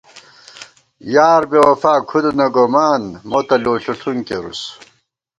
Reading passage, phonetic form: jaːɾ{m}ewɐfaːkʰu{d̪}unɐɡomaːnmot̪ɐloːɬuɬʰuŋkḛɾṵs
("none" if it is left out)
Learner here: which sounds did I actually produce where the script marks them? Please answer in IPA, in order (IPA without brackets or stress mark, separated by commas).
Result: b, d̪